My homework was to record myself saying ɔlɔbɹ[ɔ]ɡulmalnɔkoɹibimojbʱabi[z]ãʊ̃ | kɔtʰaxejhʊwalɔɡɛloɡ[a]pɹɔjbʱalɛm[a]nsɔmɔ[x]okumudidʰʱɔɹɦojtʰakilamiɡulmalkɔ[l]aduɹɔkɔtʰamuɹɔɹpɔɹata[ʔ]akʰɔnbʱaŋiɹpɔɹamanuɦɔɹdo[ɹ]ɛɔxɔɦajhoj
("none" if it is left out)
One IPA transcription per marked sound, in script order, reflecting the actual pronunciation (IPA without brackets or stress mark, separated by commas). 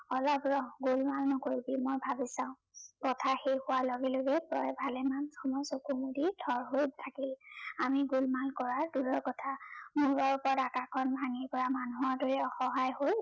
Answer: ɔ, s, ɛ, a, s, ɹ, k, ɹ